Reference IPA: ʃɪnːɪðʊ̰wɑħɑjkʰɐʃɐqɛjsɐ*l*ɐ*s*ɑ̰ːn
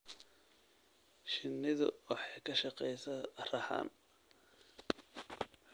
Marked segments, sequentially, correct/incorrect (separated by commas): incorrect, incorrect